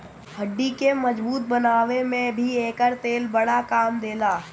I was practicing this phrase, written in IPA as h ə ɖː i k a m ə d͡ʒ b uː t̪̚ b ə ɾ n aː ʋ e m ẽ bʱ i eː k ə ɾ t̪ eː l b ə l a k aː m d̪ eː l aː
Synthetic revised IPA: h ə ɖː i k e m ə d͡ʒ b uː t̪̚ b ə n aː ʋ e m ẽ bʱ i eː k ə ɾ t̪ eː l b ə ɽ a k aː m d̪ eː l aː